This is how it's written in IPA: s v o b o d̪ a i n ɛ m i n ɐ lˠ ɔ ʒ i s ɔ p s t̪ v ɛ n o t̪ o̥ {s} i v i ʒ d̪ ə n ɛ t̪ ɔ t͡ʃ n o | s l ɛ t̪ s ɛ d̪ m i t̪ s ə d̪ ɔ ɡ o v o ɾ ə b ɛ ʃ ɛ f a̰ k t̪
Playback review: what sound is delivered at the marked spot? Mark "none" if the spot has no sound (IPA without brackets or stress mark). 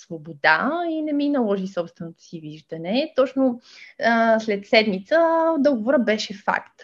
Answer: s